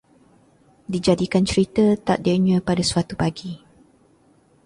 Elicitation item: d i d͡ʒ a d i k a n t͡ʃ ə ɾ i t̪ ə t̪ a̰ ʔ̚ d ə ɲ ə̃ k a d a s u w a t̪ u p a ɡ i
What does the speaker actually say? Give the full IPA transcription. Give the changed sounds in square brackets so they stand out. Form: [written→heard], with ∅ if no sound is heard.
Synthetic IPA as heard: d i d͡ʒ a d i k a n t͡ʃ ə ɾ i t̪ ə t̪ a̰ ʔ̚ d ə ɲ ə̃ [k→p] a d a s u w a t̪ u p a ɡ i